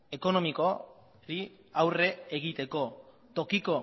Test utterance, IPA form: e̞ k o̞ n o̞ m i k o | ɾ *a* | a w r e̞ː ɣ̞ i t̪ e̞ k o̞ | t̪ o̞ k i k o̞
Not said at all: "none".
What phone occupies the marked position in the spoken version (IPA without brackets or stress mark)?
i